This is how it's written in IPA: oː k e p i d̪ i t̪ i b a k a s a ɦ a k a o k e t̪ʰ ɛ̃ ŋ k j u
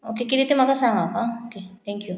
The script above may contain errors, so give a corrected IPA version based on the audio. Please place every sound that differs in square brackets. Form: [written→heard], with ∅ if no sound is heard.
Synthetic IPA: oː k e [p→k] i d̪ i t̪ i [b→m] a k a s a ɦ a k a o k e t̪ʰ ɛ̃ ŋ k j u

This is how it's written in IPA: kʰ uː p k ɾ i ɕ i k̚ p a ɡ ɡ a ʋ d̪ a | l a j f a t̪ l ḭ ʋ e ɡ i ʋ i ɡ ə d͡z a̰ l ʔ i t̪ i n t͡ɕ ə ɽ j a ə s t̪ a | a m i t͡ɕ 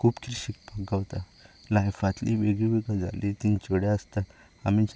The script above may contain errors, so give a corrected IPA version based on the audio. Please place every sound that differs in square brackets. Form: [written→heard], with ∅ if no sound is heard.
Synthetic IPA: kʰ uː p k ɾ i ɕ i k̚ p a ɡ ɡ a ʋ [d̪→t̪] a | l a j f a t̪ l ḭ ʋ e ɡ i ʋ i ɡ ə d͡z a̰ l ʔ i t̪ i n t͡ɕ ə ɽ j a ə s t̪ a | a m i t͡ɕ

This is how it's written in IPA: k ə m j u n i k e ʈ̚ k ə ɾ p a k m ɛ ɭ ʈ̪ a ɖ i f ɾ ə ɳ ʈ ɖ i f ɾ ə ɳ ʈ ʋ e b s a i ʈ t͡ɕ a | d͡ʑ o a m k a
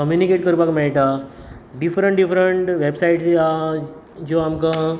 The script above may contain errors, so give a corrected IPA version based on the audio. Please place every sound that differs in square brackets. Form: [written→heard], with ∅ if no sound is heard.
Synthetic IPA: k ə m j u n i k e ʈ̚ k ə ɾ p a k m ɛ ɭ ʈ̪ a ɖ i f ɾ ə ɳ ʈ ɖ i f ɾ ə ɳ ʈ ʋ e b s a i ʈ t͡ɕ a | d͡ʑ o a m k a

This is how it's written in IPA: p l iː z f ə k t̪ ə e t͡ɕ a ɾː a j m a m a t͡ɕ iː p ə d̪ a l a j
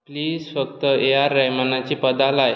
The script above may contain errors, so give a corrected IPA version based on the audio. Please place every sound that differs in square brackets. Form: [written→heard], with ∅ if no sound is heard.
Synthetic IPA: p l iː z f ə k t̪ ə e [t͡ɕ→∅] a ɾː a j m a [m→n] a t͡ɕ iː p ə d̪ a l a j

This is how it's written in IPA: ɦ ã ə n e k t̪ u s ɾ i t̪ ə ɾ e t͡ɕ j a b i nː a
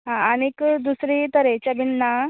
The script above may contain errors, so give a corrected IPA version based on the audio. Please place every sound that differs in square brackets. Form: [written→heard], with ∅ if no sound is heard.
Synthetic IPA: ɦ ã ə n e k [t̪→d̪] u s ɾ i t̪ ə ɾ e t͡ɕ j a b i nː a

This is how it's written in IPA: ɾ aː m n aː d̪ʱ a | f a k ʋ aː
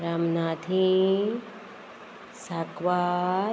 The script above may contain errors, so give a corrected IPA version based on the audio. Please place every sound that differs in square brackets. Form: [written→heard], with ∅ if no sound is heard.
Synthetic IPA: ɾ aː m n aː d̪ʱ [a→i] | [f→s] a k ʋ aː

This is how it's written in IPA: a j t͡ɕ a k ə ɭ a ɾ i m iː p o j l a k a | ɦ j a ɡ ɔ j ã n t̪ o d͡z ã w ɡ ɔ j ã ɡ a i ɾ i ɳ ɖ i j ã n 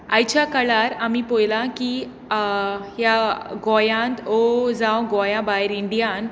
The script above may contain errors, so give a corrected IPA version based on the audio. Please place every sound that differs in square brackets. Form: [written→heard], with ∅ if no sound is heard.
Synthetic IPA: a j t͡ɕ a k ə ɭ a ɾ [i→a] m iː p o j l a k [a→i] | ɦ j a ɡ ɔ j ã n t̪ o d͡z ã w ɡ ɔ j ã [ɡ→b] a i ɾ i ɳ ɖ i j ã n

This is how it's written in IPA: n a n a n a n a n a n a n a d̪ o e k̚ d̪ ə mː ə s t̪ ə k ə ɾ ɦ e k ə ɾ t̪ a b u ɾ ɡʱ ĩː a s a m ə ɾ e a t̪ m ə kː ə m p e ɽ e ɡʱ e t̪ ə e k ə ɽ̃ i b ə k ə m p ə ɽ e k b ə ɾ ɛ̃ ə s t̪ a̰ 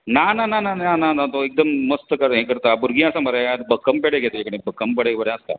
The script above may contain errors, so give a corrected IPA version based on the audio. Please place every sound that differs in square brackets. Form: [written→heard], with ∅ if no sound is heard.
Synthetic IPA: n a n a n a n a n a n a n a [d̪→t̪] o e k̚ d̪ ə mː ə s t̪ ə k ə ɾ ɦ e k ə ɾ t̪ a b u ɾ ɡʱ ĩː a s a m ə ɾ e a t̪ [m→b] ə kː ə m p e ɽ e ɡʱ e t̪ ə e k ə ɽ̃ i b ə k ə m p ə ɽ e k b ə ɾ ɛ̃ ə s t̪ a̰

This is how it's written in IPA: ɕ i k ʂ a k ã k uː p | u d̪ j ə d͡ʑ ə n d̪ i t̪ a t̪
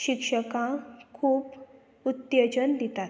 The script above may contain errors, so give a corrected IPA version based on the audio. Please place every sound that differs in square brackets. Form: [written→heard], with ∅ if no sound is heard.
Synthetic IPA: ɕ i k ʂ [a→ə] k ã [k→kʰ] uː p | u [d̪→t̪] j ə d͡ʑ ə n d̪ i t̪ a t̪

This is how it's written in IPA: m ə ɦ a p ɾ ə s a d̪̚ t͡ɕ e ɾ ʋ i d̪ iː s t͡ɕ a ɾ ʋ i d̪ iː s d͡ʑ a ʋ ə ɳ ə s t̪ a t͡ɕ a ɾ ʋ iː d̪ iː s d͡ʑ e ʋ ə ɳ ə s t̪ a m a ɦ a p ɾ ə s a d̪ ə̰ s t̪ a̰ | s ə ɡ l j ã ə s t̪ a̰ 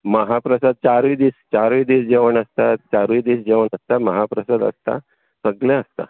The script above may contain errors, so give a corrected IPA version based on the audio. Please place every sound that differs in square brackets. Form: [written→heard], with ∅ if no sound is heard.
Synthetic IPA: m ə ɦ a p ɾ ə s a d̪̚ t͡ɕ [e→a] ɾ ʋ i d̪ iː s t͡ɕ a ɾ ʋ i d̪ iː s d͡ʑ [a→e] ʋ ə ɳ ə s t̪ a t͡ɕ a ɾ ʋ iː d̪ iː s d͡ʑ e ʋ ə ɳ ə s t̪ a m [a→ə] ɦ a p ɾ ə s a d̪ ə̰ s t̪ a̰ | s ə ɡ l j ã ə s t̪ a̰

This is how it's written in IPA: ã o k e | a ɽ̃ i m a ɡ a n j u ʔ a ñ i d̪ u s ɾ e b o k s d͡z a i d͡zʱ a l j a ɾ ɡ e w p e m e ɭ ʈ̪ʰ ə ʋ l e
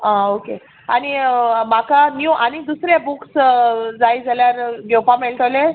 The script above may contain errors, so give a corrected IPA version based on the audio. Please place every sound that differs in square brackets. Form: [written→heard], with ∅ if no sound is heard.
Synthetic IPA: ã o k e | a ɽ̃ i m a [ɡ→k] a n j u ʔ a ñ i d̪ u s ɾ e b [o→u] k s d͡z a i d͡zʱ a l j a ɾ ɡ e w p [e→a] m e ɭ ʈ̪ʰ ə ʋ l e

